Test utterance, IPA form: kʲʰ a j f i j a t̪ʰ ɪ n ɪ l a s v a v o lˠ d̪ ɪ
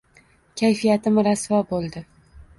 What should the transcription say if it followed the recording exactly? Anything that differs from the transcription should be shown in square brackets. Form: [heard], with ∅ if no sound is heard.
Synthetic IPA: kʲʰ a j f i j a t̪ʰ ɪ [m] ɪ [ɾ] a s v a [b] o lˠ d̪ ɪ